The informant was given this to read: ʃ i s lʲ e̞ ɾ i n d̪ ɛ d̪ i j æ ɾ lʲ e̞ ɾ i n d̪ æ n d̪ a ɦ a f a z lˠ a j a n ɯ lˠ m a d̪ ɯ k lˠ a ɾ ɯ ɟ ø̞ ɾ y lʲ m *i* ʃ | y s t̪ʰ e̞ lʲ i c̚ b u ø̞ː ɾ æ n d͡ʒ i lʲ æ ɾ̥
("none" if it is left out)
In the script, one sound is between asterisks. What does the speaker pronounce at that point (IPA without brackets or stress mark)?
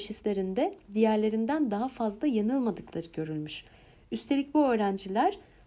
y